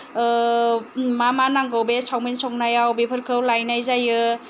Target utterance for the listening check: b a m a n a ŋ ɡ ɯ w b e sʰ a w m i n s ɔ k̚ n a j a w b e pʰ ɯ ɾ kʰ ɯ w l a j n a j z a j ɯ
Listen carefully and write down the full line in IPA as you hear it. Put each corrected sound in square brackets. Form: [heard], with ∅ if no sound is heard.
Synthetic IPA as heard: [m] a m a n a ŋ ɡ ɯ w b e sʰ a w m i n s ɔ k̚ n a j a w b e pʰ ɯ ɾ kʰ ɯ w l a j n a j z a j ɯ